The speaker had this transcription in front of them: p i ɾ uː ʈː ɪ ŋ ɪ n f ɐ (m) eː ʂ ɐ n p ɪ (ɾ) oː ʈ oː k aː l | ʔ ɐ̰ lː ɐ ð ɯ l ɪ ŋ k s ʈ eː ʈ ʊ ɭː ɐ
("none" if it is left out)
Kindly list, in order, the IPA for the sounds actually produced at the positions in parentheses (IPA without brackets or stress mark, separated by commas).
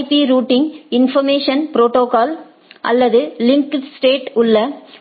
m, ɾ